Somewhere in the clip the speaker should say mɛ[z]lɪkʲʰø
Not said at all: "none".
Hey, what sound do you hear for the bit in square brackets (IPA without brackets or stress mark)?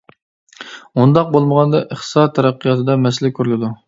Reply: s